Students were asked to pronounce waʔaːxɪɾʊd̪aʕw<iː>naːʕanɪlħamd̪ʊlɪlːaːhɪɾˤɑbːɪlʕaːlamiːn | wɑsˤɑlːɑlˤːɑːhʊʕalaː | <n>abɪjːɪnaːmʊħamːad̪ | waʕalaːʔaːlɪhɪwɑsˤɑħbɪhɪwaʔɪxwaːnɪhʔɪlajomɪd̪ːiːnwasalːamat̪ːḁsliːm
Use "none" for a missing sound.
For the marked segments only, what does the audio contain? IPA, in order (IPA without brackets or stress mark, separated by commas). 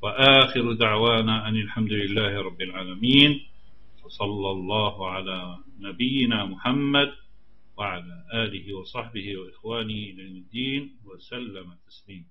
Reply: aː, n